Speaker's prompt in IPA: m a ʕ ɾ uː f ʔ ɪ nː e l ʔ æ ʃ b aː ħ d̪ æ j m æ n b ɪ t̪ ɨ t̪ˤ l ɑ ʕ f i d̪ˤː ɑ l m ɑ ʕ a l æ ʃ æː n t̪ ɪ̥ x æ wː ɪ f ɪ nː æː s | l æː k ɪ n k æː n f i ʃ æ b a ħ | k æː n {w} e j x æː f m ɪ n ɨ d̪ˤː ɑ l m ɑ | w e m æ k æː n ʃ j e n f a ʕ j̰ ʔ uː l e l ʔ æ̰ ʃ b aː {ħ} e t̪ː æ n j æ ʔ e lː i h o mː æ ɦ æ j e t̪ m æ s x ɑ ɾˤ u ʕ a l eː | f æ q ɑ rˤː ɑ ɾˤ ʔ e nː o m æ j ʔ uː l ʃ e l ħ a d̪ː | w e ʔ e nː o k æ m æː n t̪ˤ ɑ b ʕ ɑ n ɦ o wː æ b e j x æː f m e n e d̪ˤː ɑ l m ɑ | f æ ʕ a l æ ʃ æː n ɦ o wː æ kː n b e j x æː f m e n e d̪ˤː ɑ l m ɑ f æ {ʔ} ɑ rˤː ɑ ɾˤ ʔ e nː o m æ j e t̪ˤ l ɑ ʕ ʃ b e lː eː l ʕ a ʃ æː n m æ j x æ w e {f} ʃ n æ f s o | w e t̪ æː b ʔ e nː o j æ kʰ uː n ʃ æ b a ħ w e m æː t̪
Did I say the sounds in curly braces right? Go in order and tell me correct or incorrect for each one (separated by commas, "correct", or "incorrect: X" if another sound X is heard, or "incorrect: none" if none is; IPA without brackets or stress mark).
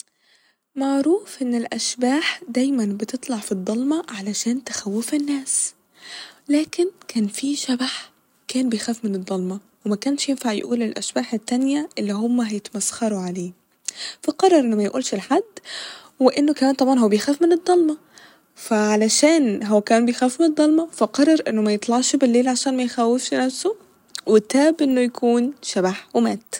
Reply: incorrect: b, correct, incorrect: q, correct